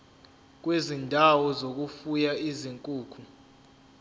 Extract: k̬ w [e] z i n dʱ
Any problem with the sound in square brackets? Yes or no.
no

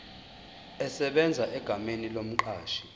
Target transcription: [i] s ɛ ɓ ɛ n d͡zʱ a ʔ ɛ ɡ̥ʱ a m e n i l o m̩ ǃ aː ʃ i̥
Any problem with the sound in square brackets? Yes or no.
yes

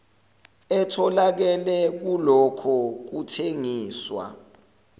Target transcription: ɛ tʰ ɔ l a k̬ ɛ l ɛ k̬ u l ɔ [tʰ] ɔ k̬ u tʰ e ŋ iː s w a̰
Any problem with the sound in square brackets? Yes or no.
yes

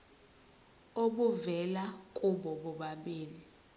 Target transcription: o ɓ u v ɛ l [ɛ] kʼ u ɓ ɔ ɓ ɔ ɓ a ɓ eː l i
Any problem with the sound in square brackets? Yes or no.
yes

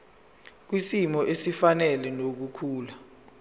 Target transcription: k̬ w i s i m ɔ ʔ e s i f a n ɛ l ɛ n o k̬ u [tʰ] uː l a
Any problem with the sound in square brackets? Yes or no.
yes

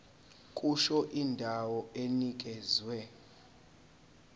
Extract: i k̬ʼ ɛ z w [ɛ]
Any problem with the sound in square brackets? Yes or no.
no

